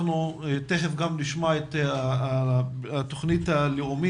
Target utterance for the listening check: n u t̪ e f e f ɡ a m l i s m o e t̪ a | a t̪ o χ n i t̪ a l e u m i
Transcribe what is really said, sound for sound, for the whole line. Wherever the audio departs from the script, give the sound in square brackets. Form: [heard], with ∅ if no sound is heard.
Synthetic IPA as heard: n u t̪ e [χ] e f ɡ a m l i [ʃ] m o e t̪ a | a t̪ o χ n i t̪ a l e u m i